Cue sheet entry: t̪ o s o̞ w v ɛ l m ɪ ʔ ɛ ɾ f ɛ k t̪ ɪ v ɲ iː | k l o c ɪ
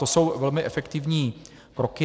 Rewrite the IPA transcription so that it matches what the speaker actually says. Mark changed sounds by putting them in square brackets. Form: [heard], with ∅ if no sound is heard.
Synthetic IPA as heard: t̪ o s o̞ w v ɛ l m ɪ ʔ ɛ [∅] f ɛ k t̪ ɪ v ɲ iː | k [ɾ] o [k] ɪ

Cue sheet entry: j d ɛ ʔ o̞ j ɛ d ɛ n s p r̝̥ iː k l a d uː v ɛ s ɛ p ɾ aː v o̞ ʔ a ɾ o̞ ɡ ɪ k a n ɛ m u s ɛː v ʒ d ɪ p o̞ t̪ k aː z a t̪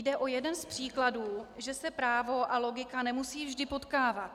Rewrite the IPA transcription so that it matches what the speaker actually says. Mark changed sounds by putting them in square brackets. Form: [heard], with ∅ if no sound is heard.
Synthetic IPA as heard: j d ɛ ʔ o̞ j ɛ d ɛ n s p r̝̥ iː k l a d uː [ʒ] ɛ s ɛ p ɾ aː v o̞ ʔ a [l] o̞ ɡ ɪ k a n ɛ m u s [iː] v ʒ d ɪ p o̞ t̪ k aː [v] a t̪

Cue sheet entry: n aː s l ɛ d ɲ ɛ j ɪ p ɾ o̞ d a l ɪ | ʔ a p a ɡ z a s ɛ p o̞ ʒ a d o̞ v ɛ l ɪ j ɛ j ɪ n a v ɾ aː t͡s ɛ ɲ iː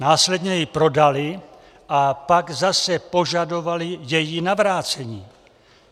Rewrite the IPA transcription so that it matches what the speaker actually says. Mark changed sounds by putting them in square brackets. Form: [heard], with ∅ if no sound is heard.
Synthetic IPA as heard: n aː s l ɛ d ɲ ɛ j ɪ p ɾ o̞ d a l ɪ | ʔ a p a ɡ z a s ɛ p o̞ ʒ a d o̞ v [a] l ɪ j ɛ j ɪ n a v ɾ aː t͡s ɛ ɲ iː

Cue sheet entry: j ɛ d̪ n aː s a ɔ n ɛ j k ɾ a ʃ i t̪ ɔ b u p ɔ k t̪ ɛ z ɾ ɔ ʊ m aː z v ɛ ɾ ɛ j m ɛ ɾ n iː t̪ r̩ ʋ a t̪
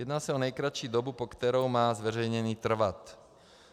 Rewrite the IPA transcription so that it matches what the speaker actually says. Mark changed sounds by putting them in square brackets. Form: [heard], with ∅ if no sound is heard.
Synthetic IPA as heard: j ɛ d̪ n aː s a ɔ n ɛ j k ɾ a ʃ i [d̪] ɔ b u p ɔ k t̪ ɛ [∅] ɾ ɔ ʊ m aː z [ʋ] ɛ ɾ ɛ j [ɲ] ɛ [∅] n iː t̪ r̩ ʋ a t̪

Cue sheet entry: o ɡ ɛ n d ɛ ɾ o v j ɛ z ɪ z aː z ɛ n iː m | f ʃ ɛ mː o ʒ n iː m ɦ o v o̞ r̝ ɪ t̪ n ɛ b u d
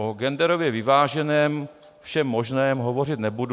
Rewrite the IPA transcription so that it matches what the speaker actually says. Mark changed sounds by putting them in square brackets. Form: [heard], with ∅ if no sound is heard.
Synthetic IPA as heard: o ɡ ɛ n d ɛ ɾ o v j ɛ [v] ɪ [v] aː [ʒ] ɛ n [ɛː] m | f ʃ ɛ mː o ʒ n [ɛː] m ɦ o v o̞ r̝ ɪ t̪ n ɛ b u d

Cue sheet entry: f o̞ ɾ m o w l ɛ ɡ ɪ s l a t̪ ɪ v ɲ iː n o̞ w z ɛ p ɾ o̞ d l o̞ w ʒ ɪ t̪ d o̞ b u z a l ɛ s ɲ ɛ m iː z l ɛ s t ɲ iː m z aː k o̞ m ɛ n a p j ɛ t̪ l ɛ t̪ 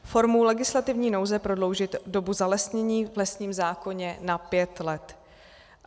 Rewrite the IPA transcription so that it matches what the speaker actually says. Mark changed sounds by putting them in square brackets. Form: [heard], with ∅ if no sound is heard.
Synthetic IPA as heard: f o̞ ɾ m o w l ɛ ɡ ɪ s l a t̪ ɪ v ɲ iː n o̞ w z ɛ p ɾ o̞ d l o̞ w ʒ ɪ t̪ d o̞ b u z a l ɛ s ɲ ɛ [ɲ] iː [v] l ɛ s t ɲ iː m z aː k o̞ [ɲ] ɛ n a p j ɛ t̪ l ɛ t̪

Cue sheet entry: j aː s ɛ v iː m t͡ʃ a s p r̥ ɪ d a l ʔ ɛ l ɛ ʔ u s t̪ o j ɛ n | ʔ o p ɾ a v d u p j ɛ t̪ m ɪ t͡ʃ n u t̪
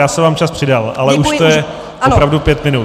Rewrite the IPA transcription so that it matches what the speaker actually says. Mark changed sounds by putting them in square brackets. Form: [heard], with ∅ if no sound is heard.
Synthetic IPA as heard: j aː s ɛ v [aː] m t͡ʃ a s p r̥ ɪ d a l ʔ [a] l ɛ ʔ u [ʃ] t̪ o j ɛ [∅] | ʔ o p ɾ a v d u p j ɛ t̪ m ɪ [∅] n u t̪

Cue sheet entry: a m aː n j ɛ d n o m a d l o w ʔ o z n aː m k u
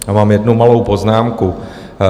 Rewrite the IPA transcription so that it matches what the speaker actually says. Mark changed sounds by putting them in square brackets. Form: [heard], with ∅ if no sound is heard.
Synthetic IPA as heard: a m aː [m] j ɛ d n [u] m a [∅] l o w [p] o z n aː m k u

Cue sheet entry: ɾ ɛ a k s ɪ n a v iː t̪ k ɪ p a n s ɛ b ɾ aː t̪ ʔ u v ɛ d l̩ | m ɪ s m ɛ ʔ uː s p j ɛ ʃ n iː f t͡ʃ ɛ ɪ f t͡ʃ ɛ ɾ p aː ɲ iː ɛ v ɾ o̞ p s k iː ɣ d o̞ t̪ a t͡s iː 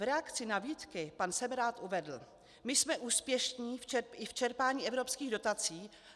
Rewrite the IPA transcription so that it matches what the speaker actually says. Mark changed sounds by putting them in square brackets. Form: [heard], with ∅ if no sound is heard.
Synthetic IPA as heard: ɾ ɛ a k [t͡s] ɪ n a v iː t̪ k ɪ p a n s ɛ [m] ɾ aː t̪ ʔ u v ɛ d l̩ | m ɪ s m ɛ ʔ uː s p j ɛ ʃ [ɲ] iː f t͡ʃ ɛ ɪ f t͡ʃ ɛ ɾ p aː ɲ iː ɛ v ɾ o̞ p s k iː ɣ d o̞ t̪ a t͡s iː

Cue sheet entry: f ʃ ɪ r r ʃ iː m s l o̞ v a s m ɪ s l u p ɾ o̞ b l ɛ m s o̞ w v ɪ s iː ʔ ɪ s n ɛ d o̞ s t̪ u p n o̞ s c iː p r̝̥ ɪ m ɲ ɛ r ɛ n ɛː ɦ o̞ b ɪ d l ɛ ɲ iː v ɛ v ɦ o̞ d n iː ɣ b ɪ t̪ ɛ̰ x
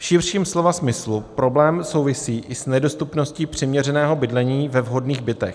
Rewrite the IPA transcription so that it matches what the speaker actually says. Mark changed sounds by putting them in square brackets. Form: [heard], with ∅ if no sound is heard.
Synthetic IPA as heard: f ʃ ɪ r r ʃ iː m s l o̞ v a s m ɪ s l u p ɾ o̞ b l [ɛː] m s o̞ w v ɪ s iː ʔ ɪ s n ɛ d o̞ s t̪ u p n o̞ s c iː p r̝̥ ɪ m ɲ ɛ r ɛ n ɛː ɦ o̞ b ɪ d l ɛ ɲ iː v ɛ v ɦ o̞ d n iː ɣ b ɪ t̪ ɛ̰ x

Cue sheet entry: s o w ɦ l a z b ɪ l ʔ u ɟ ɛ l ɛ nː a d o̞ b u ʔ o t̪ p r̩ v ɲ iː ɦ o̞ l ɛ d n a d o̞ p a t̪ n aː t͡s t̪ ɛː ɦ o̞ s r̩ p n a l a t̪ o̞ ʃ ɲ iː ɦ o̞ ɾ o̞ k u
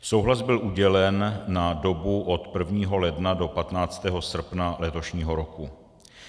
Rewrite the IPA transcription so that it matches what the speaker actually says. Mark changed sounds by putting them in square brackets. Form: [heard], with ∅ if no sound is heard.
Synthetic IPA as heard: s o w ɦ l a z b ɪ l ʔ u ɟ ɛ l ɛ nː a d o̞ b u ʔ o t̪ p r̩ v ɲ iː ɦ o̞ l ɛ d n a d o̞ p a t̪ n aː t͡s t̪ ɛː ɦ o̞ s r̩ p n a l [ɛ] t̪ o̞ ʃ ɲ iː ɦ o̞ ɾ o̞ k u

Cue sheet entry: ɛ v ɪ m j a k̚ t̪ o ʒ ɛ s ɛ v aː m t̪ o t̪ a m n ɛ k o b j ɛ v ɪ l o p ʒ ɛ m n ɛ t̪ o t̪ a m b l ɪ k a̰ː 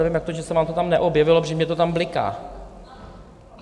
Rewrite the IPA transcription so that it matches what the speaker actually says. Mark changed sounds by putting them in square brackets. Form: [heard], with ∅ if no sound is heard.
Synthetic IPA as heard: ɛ v ɪ m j a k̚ t̪ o ʒ ɛ s ɛ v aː m t̪ o t̪ a m n ɛ [ʔ] o b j ɛ v ɪ l o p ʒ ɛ m [ɲ] ɛ t̪ o t̪ a m b l ɪ k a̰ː

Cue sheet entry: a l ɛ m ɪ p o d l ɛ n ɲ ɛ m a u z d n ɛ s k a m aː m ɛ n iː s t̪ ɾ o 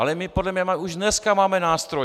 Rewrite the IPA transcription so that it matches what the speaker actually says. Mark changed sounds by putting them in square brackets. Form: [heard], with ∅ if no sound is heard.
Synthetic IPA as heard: a l ɛ m ɪ p o d l ɛ [m] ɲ ɛ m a u [ʒ] d n ɛ s k a m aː m ɛ n [aː] s t̪ ɾ o

